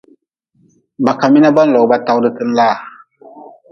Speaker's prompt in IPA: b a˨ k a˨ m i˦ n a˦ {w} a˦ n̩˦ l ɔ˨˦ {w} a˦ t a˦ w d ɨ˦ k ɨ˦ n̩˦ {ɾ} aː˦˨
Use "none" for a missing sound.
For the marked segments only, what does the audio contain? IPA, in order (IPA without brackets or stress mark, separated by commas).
b, b, l